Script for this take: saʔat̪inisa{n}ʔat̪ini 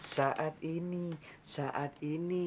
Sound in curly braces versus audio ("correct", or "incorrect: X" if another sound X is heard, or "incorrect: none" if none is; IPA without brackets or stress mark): incorrect: none